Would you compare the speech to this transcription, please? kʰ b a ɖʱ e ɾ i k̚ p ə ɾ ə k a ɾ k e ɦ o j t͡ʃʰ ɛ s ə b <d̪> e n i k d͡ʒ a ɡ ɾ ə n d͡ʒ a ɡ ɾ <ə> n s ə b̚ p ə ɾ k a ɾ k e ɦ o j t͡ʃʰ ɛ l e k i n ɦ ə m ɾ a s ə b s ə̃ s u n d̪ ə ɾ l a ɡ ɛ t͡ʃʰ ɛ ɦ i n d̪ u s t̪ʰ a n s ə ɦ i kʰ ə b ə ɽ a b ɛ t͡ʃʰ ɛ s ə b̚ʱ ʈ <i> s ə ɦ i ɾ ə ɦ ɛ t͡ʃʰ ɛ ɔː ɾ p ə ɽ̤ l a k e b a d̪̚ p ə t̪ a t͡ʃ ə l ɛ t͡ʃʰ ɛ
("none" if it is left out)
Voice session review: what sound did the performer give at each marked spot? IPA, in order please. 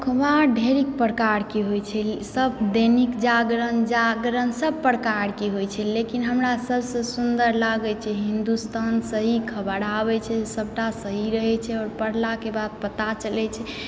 d̪, ə, a

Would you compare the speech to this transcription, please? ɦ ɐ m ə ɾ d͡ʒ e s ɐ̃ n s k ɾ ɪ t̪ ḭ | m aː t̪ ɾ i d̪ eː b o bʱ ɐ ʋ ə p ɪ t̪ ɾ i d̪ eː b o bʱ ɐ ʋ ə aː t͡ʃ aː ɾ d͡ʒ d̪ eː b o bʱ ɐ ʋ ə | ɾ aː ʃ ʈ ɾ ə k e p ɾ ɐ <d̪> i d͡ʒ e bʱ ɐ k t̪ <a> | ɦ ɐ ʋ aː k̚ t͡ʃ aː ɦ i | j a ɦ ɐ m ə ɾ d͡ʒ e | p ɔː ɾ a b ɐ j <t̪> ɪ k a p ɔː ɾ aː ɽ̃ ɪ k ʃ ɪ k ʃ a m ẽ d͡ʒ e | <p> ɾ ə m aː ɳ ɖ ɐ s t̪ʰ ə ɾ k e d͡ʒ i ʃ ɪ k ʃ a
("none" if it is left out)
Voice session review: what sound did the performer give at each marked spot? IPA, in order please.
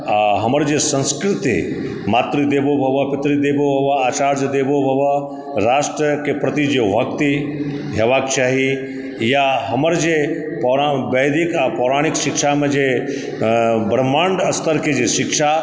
t̪, i, d̪, b

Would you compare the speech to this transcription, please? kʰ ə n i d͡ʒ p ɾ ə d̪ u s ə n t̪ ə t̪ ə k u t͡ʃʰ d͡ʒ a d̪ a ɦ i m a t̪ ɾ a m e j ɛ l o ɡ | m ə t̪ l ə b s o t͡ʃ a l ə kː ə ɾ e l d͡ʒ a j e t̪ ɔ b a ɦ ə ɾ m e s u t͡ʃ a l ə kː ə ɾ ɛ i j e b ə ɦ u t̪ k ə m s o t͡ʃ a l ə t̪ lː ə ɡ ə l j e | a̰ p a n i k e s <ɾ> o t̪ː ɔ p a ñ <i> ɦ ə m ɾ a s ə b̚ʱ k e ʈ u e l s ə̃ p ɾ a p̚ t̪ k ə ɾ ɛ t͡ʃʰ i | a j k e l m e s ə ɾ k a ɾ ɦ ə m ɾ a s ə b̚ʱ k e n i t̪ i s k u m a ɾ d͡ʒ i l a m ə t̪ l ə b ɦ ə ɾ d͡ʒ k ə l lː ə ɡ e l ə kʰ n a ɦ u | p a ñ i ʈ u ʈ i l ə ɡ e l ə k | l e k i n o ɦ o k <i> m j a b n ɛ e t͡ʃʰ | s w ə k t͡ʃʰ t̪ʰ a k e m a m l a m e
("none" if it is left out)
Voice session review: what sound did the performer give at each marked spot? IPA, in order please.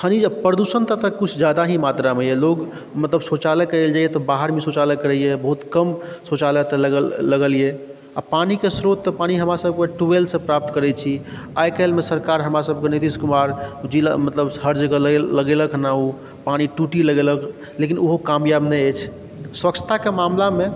ɾ, i, a

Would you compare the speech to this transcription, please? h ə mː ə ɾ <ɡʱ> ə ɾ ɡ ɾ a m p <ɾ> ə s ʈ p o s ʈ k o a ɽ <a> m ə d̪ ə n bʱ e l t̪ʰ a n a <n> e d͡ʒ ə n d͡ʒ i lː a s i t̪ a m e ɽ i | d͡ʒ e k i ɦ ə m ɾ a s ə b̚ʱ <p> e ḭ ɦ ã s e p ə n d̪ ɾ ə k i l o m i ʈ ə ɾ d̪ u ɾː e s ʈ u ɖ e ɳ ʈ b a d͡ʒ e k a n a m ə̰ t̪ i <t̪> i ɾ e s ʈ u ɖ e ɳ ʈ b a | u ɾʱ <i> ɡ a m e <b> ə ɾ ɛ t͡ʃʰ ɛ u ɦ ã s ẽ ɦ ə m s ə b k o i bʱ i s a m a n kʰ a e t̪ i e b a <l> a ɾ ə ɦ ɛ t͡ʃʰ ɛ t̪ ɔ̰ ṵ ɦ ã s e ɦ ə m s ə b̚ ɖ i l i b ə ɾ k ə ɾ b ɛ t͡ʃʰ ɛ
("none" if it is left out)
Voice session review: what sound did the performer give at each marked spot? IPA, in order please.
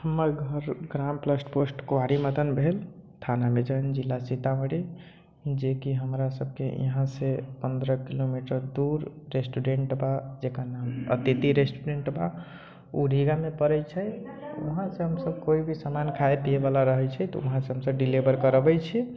ɡʱ, l, i, m, k, t̪, i, p, l

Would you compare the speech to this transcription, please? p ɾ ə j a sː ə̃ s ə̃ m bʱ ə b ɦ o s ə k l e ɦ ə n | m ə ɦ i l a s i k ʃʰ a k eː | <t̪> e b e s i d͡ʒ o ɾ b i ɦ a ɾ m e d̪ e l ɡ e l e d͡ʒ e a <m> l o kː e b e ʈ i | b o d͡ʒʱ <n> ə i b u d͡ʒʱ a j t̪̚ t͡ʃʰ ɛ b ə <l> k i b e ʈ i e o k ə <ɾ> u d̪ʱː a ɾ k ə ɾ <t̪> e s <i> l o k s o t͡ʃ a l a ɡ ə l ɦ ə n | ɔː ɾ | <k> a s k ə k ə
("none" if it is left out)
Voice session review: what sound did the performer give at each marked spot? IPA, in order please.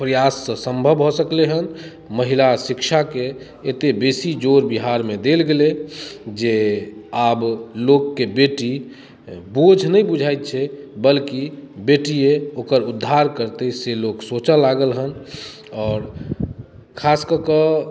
t̪, b, n, l, ɾ, t̪, e, kʰ

